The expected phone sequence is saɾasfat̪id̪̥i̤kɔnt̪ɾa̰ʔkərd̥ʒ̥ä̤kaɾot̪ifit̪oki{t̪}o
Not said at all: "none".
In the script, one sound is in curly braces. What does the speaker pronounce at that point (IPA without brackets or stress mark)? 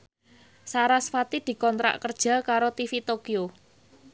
none